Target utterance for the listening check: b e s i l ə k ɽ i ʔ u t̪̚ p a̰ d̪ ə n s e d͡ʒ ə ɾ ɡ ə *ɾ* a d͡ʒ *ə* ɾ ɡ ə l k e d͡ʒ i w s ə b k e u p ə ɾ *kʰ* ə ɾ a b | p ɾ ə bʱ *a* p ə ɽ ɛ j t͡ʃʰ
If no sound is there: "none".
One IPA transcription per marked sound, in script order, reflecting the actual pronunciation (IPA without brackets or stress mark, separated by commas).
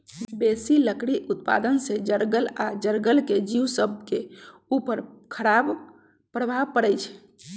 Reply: l, ə, kʰ, a